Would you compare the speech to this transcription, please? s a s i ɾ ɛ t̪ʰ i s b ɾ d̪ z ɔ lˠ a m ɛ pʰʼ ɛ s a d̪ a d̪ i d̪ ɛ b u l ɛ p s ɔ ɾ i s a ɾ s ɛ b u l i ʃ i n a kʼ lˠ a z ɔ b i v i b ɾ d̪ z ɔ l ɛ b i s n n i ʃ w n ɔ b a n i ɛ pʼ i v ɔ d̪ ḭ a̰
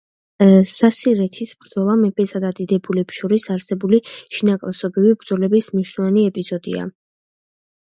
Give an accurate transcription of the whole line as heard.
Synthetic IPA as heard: s a s i ɾ ɛ t̪ʰ i s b ɾ d̪ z ɔ lˠ a m ɛ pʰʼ ɛ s a d̪ a d̪ i d̪ ɛ b u l ɛ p ʃ ɔ ɾ i s a ɾ s ɛ b u l i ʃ i n a kʼ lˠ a s ɔ b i v i b ɾ d̪ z ɔ l ɛ b i s m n i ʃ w n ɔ v a n i ɛ pʼ i z ɔ d̪ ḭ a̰